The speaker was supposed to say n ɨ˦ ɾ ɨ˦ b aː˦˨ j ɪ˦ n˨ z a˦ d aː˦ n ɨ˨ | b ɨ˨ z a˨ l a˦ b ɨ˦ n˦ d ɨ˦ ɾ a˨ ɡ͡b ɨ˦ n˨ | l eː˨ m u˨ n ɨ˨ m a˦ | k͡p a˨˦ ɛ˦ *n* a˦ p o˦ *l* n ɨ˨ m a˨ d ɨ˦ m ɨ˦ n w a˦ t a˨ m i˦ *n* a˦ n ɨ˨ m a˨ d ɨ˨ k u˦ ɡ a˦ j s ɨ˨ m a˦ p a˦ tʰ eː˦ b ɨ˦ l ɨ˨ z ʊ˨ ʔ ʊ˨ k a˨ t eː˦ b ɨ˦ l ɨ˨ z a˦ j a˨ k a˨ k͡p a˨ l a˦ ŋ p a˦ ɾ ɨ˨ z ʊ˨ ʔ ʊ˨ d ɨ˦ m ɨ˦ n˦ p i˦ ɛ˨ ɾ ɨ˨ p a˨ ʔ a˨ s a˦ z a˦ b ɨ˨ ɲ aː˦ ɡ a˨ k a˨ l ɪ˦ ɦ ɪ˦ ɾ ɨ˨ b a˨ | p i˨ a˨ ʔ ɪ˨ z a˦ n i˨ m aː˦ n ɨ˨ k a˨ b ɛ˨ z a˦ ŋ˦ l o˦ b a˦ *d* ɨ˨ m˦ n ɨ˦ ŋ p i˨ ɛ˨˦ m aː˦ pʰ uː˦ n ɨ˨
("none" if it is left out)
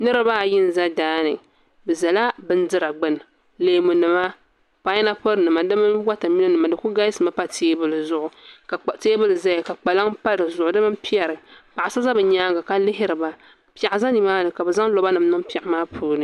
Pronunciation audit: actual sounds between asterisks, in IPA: n, ɾ, n, n

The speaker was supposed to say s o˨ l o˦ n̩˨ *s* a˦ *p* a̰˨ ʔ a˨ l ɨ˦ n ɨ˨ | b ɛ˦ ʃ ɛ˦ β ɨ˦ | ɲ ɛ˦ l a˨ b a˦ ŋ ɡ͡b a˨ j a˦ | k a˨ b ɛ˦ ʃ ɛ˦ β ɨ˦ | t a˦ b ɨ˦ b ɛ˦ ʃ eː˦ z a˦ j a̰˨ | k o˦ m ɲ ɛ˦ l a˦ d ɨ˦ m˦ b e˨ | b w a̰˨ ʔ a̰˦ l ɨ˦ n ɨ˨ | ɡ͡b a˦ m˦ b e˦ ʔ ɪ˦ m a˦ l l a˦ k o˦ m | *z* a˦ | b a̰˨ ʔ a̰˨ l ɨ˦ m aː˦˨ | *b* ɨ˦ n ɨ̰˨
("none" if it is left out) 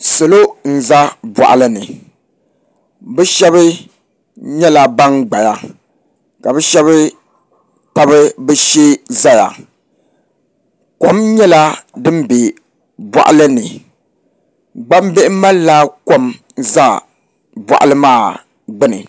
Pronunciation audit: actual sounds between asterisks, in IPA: z, b, z, ɡ͡b

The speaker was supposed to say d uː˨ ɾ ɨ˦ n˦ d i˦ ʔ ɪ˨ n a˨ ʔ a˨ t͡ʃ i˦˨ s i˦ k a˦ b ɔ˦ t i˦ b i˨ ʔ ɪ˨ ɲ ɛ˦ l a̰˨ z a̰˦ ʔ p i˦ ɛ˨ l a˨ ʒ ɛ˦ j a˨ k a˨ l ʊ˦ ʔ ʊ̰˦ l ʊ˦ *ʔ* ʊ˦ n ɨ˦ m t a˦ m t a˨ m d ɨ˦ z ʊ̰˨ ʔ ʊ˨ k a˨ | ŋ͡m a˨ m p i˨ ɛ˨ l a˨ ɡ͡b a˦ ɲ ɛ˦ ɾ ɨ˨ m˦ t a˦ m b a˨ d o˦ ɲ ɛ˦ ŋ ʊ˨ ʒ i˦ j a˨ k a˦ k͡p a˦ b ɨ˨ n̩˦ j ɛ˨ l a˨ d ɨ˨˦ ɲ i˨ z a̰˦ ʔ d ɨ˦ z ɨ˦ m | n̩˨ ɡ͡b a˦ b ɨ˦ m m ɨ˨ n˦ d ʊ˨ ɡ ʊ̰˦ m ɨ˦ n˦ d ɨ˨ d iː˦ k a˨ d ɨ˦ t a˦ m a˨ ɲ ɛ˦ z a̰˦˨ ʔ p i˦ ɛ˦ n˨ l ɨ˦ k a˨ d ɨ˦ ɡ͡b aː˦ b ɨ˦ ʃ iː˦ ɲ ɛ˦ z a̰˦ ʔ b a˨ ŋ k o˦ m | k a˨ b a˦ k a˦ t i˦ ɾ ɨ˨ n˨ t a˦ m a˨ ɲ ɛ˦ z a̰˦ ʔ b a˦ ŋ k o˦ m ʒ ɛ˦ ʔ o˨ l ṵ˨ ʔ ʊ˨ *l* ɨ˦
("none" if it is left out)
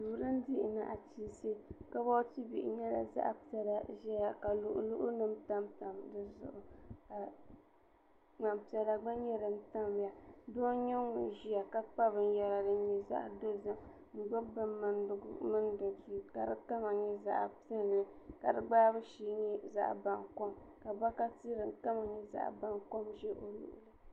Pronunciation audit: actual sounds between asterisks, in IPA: ʔ, l

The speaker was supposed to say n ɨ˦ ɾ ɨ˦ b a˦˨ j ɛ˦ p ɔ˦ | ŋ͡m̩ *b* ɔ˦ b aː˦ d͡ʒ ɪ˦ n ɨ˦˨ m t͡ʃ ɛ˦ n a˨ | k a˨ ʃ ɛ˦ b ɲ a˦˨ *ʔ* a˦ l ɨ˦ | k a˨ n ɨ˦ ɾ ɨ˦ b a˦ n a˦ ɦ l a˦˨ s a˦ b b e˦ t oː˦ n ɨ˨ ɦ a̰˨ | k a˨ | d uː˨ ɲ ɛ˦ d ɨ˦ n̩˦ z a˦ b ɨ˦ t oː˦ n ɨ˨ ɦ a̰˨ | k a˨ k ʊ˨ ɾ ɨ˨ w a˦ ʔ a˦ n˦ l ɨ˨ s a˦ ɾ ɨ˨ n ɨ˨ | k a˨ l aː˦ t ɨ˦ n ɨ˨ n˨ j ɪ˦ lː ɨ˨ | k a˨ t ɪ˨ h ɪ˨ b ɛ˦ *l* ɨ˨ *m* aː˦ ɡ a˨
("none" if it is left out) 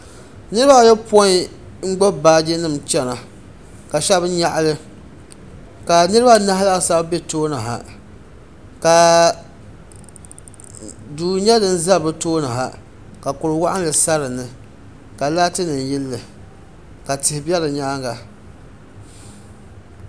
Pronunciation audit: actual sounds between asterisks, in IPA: ɡ͡b, ʔ, l, ɲ

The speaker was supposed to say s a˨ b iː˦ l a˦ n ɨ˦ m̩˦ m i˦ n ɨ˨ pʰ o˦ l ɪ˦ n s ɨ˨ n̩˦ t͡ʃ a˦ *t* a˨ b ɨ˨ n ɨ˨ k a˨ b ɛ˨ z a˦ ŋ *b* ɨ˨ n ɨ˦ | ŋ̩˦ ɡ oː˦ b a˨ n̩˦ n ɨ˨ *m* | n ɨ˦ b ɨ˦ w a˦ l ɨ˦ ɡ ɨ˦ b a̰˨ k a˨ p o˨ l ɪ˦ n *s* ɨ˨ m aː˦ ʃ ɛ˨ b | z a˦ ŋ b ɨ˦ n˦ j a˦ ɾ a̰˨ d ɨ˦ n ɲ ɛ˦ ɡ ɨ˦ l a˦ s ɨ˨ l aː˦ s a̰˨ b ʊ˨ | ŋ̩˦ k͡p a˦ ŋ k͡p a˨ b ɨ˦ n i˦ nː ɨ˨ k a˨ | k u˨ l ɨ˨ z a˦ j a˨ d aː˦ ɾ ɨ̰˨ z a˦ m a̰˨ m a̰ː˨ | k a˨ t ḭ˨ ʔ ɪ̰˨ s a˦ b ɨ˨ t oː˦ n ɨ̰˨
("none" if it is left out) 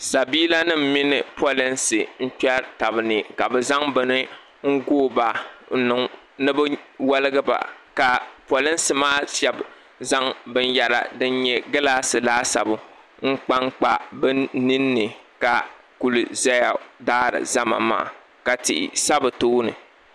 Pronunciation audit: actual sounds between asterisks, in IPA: t, b, ŋ, s

